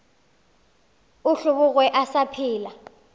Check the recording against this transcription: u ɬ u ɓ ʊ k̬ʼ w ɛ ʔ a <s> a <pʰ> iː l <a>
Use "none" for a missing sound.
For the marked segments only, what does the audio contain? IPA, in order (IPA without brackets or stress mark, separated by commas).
s, pʰ, a